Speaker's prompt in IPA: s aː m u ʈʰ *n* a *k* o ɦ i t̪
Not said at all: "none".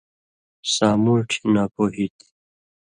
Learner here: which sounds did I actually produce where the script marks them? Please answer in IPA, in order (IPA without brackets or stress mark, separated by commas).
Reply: n, p